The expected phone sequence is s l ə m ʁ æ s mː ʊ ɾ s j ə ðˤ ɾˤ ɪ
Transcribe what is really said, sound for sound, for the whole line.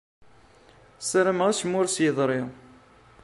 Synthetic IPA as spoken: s ɾ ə m ʁ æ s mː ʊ ɾ s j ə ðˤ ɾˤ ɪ

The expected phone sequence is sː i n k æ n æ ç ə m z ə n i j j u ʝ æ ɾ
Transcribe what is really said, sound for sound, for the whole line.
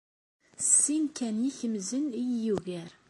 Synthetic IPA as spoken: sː i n k æ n i ç ə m z ə n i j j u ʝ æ ɾ

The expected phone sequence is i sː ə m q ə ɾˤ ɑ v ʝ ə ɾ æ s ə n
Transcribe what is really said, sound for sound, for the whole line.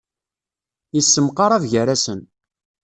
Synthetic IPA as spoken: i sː ə m q ɑ ɾˤ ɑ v ʝ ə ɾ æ s ə n

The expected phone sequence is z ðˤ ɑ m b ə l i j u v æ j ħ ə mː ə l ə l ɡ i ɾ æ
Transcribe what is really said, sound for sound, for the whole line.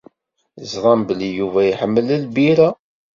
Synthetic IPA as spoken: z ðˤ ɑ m b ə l i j u v æ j ħ ə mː ə l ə l b i ɾ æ

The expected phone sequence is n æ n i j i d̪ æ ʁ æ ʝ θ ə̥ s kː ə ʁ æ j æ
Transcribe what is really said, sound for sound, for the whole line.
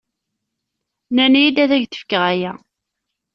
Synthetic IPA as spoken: n æ n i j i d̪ æ ð æ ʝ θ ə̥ f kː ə ʁ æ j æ

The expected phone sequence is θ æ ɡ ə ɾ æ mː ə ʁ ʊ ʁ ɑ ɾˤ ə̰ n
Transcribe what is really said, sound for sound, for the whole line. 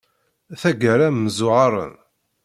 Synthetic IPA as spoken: θ æ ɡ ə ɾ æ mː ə z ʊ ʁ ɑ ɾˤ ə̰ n

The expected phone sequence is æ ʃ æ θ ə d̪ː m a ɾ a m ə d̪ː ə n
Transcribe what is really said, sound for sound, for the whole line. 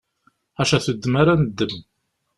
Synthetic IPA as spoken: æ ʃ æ θ ə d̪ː m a ɾ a n ə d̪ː ə m

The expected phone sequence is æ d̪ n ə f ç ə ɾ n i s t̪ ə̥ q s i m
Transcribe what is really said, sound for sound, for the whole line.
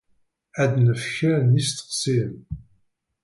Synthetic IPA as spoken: æ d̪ n ə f ç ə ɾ n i s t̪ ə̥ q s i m

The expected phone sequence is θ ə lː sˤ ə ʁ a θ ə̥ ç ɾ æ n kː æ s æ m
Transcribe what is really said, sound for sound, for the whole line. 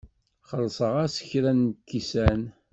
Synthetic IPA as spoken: χ ə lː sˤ ə ʁ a s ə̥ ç ɾ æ n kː i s æ n

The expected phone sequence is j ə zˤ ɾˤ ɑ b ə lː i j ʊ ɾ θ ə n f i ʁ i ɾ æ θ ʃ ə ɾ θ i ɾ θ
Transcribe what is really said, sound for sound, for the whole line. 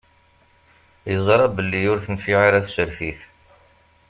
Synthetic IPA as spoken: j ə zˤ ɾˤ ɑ b ə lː i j ʊ ɾ θ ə n f i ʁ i ɾ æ θ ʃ ə ɾ f i θ

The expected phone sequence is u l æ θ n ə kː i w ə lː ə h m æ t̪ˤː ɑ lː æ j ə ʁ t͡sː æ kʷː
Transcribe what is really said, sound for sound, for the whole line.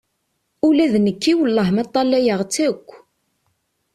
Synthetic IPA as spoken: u l æ ð n ə kː i w ə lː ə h m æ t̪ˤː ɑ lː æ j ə ʁ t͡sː æ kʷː

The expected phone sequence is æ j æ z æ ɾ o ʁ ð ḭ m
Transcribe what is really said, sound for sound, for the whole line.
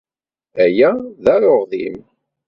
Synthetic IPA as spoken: æ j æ ð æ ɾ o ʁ ð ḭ m

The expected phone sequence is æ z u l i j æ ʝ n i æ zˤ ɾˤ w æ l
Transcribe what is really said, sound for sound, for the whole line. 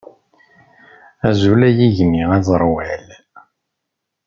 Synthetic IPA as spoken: æ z u l æ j i ʝ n i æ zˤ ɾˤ w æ l

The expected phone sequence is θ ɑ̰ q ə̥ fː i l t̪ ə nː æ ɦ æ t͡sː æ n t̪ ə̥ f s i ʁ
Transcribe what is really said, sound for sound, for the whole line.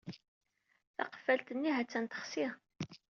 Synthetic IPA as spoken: θ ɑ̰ q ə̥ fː æ l t̪ ə nː i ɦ æ t͡sː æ n t̪ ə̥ χ s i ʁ

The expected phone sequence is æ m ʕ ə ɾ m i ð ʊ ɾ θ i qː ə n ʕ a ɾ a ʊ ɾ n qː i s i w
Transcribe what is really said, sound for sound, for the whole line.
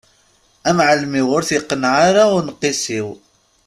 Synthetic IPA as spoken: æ m ʕ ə l m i ʁ ʊ ɾ θ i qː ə n ʕ a ɾ a ʊ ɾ n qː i s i w

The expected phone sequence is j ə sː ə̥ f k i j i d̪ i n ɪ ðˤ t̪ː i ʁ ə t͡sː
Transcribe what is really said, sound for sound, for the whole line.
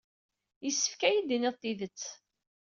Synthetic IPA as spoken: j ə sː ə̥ f k æ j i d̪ i n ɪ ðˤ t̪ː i ð ə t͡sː

